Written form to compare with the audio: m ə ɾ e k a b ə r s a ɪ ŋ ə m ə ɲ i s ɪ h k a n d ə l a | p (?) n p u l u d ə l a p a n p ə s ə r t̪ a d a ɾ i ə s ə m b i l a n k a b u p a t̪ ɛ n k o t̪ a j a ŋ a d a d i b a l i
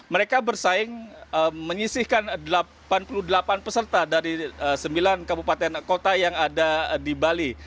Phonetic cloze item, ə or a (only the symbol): a